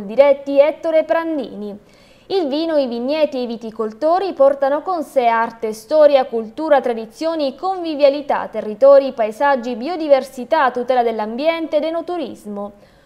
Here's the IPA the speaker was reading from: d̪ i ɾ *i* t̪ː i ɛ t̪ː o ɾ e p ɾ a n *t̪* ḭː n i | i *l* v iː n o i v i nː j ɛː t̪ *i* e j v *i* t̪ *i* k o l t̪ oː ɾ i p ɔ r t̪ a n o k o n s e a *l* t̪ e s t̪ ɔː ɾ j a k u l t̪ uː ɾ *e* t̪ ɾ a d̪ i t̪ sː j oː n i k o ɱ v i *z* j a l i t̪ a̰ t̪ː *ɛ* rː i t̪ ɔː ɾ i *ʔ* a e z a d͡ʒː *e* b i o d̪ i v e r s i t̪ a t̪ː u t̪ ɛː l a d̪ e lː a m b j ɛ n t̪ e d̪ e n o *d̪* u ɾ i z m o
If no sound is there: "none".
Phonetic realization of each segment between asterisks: ɛ, d̪, l, i, i, i, r, a, v, e, p, i, t̪

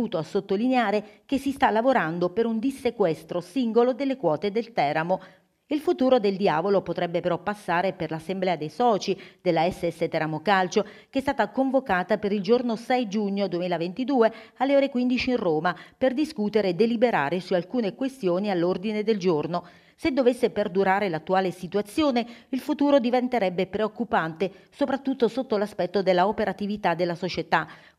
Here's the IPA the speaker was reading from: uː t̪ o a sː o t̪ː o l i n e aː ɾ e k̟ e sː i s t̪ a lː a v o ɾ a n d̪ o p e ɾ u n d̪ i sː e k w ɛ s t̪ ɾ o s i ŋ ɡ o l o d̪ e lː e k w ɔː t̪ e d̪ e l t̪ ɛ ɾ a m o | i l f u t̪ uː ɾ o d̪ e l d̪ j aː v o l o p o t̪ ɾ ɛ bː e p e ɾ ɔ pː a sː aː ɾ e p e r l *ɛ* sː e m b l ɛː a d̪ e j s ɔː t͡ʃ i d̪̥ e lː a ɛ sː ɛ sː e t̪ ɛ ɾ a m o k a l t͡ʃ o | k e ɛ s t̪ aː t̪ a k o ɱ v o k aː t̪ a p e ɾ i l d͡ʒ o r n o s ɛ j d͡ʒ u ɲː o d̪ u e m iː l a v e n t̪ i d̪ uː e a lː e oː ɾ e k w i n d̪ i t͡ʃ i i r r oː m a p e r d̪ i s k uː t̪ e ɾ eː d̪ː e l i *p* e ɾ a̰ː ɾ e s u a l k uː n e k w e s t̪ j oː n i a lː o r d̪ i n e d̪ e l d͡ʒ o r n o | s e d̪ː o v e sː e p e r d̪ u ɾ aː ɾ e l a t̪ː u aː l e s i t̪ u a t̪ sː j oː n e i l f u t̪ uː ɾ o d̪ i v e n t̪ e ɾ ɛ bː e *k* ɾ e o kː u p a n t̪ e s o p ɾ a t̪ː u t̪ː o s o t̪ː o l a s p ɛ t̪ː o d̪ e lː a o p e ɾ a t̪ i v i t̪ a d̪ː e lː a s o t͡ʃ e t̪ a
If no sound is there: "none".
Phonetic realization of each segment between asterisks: a, b, p

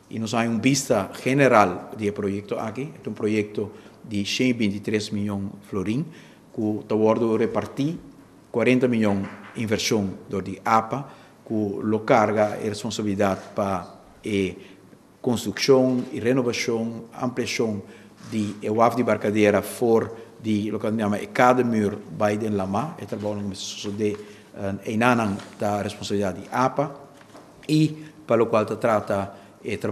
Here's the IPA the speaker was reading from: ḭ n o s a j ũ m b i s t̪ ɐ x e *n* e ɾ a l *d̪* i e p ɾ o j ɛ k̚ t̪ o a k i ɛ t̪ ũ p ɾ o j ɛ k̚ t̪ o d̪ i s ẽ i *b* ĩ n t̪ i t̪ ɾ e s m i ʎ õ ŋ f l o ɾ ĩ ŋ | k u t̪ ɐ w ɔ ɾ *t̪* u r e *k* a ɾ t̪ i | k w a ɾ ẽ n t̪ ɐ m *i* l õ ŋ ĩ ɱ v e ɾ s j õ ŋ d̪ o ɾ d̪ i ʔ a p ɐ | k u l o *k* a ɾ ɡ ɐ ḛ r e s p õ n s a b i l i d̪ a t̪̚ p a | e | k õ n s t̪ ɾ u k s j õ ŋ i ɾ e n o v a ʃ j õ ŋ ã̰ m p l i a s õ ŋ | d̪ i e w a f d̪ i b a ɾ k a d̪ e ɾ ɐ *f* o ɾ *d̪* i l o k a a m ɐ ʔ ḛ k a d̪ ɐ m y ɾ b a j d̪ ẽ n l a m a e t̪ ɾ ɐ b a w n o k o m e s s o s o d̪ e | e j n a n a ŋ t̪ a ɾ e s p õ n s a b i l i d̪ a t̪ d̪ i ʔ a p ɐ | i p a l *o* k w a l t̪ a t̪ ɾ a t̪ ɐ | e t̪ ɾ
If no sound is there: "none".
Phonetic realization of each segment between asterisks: n, d̪, b, d̪, p, i, k, f, d̪, o

